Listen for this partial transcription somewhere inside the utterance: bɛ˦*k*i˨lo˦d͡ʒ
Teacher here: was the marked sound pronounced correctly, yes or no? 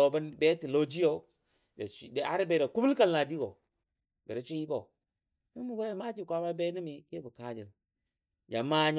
no